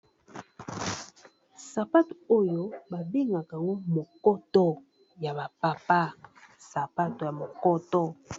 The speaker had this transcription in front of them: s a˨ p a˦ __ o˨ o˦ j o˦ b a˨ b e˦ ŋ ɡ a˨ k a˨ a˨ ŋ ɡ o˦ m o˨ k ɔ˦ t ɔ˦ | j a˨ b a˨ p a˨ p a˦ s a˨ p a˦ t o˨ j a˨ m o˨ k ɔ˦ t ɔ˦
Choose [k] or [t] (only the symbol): t